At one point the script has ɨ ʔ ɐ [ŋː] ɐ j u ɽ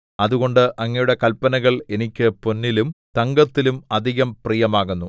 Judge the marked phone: correct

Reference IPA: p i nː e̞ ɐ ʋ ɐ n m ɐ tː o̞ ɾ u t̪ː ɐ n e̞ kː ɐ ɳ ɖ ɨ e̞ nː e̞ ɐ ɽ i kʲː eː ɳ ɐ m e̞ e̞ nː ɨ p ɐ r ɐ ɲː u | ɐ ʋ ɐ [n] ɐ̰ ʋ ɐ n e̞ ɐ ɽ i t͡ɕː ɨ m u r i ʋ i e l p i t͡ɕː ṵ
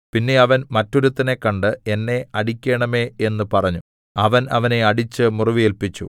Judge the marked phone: correct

